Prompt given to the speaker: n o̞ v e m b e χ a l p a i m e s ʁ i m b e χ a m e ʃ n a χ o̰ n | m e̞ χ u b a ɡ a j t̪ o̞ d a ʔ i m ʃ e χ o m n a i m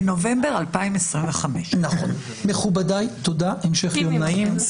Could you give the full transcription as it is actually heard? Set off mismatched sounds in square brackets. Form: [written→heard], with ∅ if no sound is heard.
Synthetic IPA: n o̞ v e m b e [χ→ʁ] a l p a i m e s ʁ i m [b→v] e χ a m e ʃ n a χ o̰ n | m e̞ χ u b a [ɡ→d] a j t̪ o̞ d a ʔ [i→e] m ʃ e χ o m n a i m